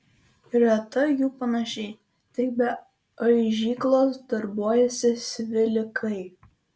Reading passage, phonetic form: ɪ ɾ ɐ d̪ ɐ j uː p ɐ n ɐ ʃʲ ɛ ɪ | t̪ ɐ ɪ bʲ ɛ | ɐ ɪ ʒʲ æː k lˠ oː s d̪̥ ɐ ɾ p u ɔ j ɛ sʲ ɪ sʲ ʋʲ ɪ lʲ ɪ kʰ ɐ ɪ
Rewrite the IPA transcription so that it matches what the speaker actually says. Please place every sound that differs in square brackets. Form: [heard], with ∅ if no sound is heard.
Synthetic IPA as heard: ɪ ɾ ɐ [t̪] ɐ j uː p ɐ n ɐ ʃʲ ɛ ɪ | t̪ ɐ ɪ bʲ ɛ | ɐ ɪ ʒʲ [iː] k lˠ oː s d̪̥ ɐ ɾ [b] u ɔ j ɛ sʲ ɪ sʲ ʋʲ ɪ lʲ ɪ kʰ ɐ ɪ